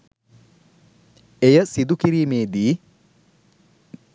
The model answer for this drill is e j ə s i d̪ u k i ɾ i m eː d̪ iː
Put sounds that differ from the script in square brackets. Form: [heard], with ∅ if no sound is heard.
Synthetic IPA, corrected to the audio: e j ə s i d̪ u k i ɾ [iː] m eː d̪ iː